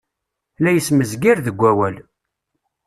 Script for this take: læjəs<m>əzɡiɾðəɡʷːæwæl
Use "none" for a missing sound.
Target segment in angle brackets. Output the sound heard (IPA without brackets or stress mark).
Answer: m